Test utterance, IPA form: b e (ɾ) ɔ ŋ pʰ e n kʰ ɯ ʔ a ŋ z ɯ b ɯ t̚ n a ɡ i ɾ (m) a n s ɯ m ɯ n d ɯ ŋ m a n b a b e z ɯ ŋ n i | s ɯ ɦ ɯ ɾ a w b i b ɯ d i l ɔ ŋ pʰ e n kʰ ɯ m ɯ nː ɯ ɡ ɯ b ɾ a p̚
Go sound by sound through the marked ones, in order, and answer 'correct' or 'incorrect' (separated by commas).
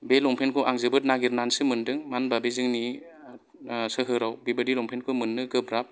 incorrect, incorrect